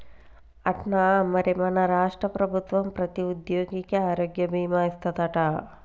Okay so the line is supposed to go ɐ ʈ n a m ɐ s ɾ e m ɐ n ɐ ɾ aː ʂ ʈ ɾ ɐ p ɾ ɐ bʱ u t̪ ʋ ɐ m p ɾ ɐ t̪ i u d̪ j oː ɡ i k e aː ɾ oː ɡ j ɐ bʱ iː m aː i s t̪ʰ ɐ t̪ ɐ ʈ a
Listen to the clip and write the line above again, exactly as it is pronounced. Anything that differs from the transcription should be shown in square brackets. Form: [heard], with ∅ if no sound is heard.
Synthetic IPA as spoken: ɐ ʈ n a m ɐ [∅] ɾ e m ɐ n ɐ ɾ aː ʂ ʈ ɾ ɐ p ɾ ɐ bʱ u t̪ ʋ ɐ m p ɾ ɐ t̪ i u d̪ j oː ɡ i k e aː ɾ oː ɡ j ɐ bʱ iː m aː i s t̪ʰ ɐ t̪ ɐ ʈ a